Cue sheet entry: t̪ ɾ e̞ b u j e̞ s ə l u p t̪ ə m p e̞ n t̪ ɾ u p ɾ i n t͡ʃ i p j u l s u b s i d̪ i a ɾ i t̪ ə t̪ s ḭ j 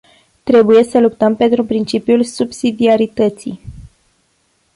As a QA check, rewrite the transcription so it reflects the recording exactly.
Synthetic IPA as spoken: t̪ ɾ e̞ b u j e̞ s ə l u p t̪ ə m p e̞ n t̪ ɾ u p ɾ i n t͡ʃ i p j u l s u b s i d̪ i a ɾ i t̪ ə t̪ s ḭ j